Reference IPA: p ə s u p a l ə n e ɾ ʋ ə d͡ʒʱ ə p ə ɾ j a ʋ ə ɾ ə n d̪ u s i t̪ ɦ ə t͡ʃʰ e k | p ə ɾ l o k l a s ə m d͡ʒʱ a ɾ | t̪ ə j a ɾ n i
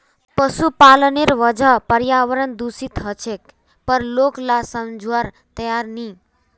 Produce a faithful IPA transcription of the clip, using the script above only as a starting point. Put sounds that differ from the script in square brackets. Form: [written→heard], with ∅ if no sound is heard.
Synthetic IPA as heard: p ə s u p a l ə n e ɾ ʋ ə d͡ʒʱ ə p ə ɾ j a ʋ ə ɾ ə n d̪ u s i t̪ ɦ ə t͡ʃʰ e k | p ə ɾ l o k l a s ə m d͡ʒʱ a ɾ | t̪ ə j a ɾ n i